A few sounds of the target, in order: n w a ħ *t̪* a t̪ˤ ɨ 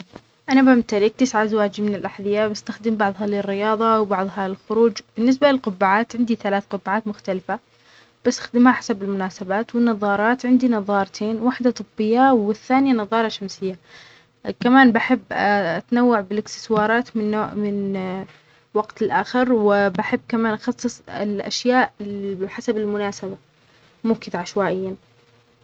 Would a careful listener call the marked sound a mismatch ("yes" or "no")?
yes